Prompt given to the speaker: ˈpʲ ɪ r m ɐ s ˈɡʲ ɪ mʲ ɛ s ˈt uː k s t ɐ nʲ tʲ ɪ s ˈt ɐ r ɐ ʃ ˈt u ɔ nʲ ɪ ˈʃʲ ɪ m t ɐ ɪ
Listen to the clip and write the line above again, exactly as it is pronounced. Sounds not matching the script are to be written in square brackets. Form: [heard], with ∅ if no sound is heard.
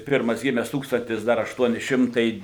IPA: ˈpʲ ɪ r m ɐ s ˈɡʲ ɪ mʲ ɛ s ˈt uː k s t ɐ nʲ tʲ ɪ s [ˈd] ɐ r ɐ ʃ ˈt u ɔ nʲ ɪ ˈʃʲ ɪ m t ɐ ɪ